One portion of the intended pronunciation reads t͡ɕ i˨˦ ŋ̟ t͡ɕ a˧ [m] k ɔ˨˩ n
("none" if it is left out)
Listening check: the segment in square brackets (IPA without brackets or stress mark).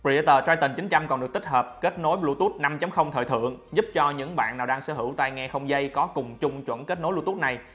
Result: m